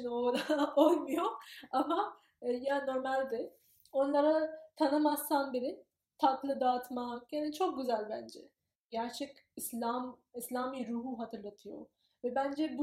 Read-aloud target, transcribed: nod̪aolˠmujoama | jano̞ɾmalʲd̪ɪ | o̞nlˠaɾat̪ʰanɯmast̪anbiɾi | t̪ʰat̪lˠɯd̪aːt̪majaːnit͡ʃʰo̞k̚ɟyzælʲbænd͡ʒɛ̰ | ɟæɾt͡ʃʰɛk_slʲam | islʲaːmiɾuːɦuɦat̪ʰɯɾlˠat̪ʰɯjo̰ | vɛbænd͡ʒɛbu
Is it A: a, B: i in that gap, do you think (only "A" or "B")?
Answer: B